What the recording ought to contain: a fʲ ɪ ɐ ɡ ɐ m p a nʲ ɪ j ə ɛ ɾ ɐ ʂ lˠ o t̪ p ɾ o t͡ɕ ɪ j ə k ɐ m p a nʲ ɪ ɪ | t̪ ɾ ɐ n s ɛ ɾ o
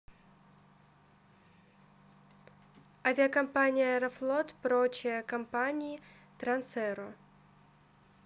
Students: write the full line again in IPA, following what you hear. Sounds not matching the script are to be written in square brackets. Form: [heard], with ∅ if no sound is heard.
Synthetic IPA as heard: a [vʲ] ɪ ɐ [k] ɐ m p a nʲ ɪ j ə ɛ ɾ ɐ [f] lˠ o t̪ p ɾ o t͡ɕ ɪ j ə k ɐ m p a nʲ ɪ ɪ | t̪ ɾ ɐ n s ɛ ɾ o